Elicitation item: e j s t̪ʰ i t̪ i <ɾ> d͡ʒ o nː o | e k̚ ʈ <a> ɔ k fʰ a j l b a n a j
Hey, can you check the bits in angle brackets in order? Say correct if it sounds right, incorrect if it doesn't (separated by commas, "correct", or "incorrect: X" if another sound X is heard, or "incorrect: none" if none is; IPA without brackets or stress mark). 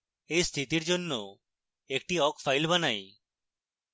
correct, incorrect: i